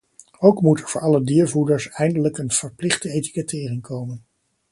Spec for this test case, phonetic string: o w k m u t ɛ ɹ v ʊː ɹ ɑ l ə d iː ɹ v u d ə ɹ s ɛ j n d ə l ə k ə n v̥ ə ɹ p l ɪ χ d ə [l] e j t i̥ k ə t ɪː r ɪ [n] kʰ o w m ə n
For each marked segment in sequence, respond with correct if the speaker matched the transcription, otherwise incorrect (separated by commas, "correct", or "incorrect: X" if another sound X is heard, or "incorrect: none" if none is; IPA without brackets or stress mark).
incorrect: none, incorrect: ŋ